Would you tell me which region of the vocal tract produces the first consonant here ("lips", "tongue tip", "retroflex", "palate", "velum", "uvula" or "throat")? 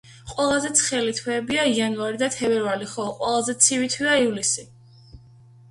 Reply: uvula